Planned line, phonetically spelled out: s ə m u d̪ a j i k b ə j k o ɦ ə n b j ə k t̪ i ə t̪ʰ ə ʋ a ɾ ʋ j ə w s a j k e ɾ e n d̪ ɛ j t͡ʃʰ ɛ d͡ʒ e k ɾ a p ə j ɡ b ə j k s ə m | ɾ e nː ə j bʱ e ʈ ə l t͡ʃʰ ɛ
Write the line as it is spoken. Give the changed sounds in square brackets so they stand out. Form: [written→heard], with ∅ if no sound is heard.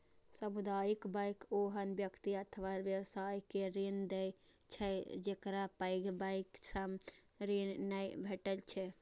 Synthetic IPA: s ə m u d̪ a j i k b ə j k o ɦ ə n b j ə k t̪ i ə t̪ʰ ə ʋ a ɾ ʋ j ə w s a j k e ɾ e n d̪ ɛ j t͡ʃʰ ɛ d͡ʒ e k ɾ a p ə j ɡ b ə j k s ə m | ɾ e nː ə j bʱ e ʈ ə l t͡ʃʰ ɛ

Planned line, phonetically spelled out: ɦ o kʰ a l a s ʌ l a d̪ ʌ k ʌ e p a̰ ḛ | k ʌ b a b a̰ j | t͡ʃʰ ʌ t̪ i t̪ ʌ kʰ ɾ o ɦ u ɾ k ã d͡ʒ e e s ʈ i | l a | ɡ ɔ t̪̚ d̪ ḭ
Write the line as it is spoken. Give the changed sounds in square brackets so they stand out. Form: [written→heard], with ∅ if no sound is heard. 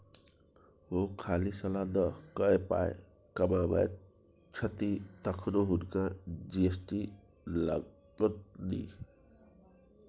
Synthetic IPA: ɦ o kʰ a l [a→i] s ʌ l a d̪ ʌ k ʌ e p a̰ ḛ | k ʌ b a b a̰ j | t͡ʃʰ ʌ t̪ i t̪ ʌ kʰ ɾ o ɦ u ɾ k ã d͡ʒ [e→i] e s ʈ i | l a | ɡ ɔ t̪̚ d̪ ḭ

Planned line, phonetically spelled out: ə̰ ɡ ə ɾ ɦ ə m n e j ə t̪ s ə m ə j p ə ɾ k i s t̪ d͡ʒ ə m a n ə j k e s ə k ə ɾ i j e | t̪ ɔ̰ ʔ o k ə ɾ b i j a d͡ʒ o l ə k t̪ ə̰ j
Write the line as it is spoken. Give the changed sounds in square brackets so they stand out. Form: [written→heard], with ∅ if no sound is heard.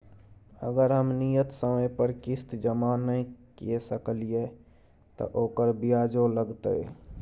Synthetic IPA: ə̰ ɡ ə ɾ ɦ ə m n [e→i] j ə t̪ s ə m ə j p ə ɾ k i s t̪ d͡ʒ ə m a n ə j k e s ə k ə [ɾ→l] i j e | t̪ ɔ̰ ʔ o k ə ɾ b i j a d͡ʒ o l ə [k→ɡ] t̪ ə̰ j

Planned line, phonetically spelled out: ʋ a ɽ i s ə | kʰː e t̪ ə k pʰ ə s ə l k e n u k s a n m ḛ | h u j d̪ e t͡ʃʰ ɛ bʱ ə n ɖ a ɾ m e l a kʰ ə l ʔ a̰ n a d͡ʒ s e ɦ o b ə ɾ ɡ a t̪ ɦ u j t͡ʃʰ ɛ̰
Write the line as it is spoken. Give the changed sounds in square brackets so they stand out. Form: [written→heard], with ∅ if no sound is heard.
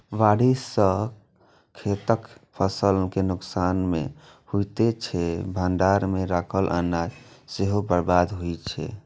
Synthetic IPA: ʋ a ɽ i s ə | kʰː e t̪ ə k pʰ ə s ə l k e n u k s a n m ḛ | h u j [d̪→t̪] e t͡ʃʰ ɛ bʱ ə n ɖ a ɾ m e [l→ɾ] a kʰ ə l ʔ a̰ n a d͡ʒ s e ɦ o b ə ɾ [ɡ→b] a [t̪→d̪] ɦ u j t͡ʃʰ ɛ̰

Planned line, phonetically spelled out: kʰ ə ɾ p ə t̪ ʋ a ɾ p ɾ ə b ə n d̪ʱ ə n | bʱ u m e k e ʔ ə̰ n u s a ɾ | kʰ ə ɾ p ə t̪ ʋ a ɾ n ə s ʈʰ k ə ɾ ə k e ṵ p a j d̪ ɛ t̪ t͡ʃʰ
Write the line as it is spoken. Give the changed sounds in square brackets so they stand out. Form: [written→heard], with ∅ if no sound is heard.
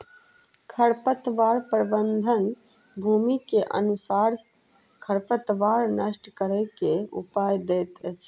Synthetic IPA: kʰ ə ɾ p ə t̪ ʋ a ɾ p ɾ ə b ə n d̪ʱ ə n | bʱ u m [e→i] k e ʔ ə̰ n u s a ɾ | kʰ ə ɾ p ə t̪ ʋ a ɾ n ə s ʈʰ k ə ɾ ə k e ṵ p a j d̪ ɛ t̪ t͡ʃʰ

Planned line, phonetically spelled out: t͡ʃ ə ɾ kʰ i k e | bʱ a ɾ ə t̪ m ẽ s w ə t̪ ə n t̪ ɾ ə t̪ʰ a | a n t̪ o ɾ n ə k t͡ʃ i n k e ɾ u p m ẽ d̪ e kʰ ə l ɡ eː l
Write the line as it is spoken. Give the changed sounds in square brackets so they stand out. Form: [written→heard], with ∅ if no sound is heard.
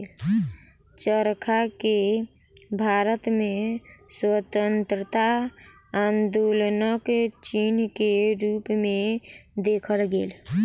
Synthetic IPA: t͡ʃ ə ɾ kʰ [i→a] k e | bʱ a ɾ ə t̪ m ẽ s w ə t̪ ə n t̪ ɾ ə [t̪ʰ→t̪] a | a n [t̪→d̪] o [ɾ→l] n ə k t͡ʃ i n k e ɾ u p m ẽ d̪ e kʰ ə l ɡ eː l

